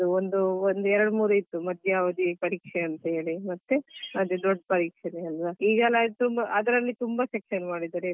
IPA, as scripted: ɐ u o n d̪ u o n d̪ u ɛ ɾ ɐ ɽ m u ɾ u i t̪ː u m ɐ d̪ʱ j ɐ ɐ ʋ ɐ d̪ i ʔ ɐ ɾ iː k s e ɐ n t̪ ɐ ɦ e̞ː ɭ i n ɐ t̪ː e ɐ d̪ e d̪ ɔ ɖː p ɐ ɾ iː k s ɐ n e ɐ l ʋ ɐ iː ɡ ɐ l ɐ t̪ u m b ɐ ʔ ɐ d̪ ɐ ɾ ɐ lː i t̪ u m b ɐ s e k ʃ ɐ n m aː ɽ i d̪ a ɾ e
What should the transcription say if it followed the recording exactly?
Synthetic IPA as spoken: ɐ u o n d̪ u o n d̪ u ɛ ɾ ɐ ɽ m uː ɾ u i t̪ː u m ɐ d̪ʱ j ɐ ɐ ʋ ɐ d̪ i p ɐ ɾ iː k ʂ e ɐ n t̪ ɐ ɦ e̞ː ɭ i m ɐ t̪ː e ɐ d̪ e d̪ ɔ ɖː p ɐ ɾ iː k ʂ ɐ n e ɐ l ʋ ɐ iː ɡ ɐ l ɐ t̪ u m b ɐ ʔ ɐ d̪ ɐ ɾ ɐ lː i t̪ u m b ɐ s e k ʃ ɐ n m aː ɽ i d̪ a ɾ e